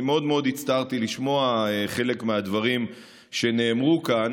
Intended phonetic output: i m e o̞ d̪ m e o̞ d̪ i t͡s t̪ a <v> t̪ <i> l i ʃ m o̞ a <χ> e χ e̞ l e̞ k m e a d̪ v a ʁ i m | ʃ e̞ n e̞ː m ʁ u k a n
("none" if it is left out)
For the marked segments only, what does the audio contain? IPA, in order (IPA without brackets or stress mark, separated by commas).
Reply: ʁ, i, none